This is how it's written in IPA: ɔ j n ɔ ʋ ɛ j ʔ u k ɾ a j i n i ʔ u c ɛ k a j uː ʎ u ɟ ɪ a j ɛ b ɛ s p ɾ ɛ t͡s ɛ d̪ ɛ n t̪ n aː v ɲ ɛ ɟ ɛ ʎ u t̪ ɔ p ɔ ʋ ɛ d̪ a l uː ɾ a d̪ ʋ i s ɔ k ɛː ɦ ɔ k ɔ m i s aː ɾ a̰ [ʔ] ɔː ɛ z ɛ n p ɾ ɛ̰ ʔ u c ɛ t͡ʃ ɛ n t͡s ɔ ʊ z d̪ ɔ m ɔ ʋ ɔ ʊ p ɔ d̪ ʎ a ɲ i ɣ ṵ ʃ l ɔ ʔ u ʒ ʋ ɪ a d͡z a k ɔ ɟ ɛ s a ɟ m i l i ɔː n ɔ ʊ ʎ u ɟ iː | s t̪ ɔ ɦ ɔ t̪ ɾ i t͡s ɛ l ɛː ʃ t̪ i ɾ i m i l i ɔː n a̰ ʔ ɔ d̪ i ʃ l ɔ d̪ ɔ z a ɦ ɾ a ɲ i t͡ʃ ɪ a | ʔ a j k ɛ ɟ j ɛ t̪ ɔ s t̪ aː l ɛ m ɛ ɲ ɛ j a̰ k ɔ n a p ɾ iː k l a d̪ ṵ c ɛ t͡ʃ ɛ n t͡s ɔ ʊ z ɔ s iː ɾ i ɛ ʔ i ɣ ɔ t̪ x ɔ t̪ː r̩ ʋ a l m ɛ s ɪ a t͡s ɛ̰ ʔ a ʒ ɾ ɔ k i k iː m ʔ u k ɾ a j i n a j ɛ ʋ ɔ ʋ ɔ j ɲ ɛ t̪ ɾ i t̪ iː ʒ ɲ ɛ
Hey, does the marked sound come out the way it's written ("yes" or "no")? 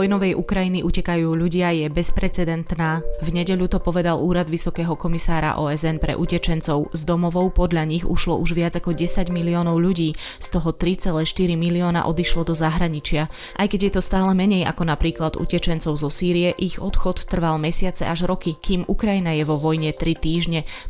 yes